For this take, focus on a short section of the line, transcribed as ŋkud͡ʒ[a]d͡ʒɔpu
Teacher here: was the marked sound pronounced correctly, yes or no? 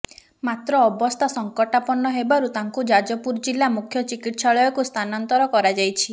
yes